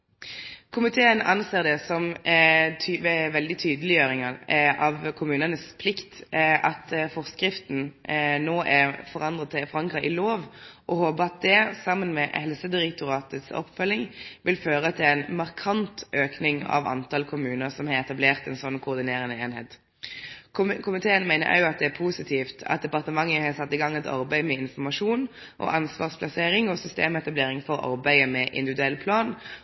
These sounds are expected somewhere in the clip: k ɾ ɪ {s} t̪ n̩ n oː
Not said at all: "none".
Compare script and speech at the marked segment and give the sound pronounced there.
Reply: f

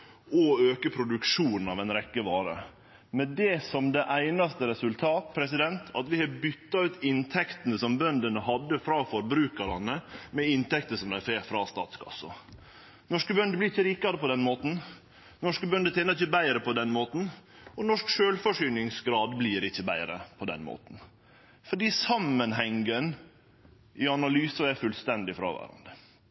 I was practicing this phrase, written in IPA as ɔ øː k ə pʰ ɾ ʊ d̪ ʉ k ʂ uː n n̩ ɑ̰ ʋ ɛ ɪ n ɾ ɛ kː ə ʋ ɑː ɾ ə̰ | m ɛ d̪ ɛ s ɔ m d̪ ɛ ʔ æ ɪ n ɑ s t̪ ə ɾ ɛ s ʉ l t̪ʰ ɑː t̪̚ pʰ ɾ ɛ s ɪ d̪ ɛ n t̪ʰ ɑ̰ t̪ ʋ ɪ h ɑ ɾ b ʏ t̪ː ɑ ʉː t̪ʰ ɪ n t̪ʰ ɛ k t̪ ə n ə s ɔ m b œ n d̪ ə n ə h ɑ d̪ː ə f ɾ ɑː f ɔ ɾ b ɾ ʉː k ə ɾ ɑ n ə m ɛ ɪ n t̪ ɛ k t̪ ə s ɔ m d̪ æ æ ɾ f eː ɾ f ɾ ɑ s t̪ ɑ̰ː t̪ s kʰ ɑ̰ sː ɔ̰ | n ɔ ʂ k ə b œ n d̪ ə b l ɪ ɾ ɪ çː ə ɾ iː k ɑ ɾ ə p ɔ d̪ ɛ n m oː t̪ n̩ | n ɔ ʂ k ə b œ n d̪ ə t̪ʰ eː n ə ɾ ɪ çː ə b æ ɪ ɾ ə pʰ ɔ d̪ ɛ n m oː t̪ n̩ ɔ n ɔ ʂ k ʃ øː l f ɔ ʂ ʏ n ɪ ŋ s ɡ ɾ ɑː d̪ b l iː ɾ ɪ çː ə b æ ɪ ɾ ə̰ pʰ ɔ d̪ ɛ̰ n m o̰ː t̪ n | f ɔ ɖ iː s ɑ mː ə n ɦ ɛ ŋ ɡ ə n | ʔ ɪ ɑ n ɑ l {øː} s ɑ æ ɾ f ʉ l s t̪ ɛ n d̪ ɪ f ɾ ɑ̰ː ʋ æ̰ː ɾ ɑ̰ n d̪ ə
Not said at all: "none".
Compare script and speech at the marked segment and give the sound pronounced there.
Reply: yː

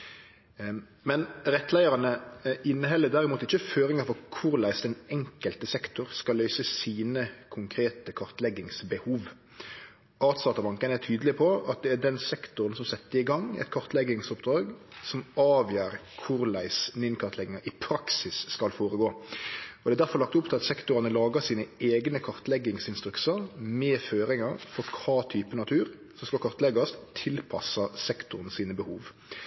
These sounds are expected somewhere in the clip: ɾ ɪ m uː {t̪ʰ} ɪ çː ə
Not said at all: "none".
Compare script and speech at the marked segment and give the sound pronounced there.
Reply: t̪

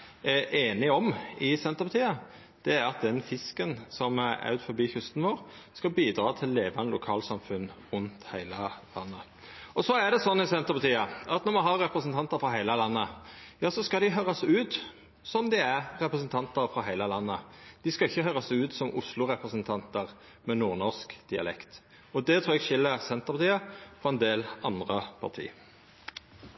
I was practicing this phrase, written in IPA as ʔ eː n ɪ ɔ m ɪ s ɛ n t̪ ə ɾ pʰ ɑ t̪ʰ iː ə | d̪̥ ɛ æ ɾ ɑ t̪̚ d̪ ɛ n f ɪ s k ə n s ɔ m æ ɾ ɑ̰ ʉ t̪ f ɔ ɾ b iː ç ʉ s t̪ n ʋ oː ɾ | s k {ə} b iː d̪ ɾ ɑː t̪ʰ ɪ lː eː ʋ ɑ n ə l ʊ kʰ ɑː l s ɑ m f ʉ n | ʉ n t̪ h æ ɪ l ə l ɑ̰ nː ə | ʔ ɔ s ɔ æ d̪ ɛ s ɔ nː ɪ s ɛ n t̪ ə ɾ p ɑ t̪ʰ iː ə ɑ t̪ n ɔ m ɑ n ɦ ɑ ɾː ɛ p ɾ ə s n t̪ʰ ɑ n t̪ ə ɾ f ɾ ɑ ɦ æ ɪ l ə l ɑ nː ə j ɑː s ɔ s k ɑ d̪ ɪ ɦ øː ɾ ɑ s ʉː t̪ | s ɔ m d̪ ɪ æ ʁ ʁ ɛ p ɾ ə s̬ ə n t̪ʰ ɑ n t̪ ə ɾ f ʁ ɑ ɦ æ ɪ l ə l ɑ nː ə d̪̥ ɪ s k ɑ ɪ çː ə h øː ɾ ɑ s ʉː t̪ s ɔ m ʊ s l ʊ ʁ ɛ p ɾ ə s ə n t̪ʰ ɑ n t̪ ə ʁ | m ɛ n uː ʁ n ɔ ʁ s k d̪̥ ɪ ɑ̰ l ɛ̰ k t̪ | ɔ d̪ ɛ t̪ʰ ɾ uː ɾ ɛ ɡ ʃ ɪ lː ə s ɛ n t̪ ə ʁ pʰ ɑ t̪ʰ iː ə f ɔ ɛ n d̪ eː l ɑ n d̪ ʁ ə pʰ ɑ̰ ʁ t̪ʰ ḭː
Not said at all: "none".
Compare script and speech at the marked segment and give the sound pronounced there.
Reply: ɑ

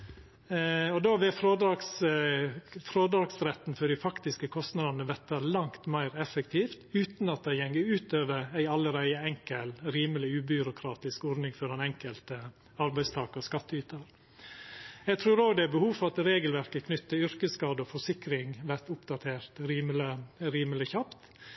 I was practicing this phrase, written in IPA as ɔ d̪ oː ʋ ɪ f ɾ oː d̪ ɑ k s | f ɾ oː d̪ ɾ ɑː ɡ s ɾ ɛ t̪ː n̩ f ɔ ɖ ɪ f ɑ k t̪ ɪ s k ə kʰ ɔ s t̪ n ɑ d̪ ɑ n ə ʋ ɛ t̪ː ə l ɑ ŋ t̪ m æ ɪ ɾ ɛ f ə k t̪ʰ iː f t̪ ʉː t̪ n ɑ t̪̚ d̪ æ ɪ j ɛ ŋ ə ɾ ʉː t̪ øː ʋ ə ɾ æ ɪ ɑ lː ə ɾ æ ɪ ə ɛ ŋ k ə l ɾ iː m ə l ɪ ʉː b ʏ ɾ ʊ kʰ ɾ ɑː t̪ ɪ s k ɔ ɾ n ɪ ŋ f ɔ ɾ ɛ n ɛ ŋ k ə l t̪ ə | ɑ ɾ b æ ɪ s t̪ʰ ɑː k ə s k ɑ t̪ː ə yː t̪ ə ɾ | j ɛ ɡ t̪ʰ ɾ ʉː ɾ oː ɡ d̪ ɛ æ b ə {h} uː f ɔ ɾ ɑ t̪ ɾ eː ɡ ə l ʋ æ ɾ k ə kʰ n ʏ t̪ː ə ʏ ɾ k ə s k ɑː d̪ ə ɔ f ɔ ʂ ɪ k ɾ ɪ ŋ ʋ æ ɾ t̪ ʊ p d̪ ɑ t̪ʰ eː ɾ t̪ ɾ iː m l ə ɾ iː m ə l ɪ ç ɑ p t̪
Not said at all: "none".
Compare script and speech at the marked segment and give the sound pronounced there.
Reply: h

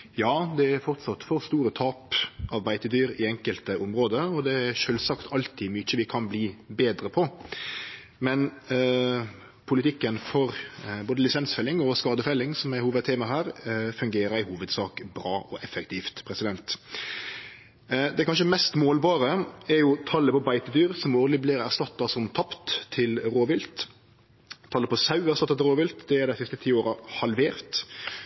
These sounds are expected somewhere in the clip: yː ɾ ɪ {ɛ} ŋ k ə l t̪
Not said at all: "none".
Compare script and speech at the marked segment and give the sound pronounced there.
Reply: ɛ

